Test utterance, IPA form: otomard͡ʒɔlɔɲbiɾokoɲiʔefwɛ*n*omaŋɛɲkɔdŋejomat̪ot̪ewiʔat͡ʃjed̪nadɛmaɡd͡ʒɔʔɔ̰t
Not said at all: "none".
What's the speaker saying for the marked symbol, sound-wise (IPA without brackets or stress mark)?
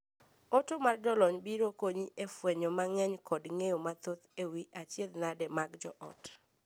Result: ɲ